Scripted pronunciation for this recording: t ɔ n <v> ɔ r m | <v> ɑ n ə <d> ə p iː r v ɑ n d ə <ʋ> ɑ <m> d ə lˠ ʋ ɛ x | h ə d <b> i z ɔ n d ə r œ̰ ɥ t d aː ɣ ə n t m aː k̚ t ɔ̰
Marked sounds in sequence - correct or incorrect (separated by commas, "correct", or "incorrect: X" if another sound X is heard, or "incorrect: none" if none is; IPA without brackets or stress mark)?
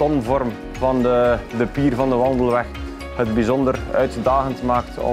correct, correct, correct, correct, incorrect: n, correct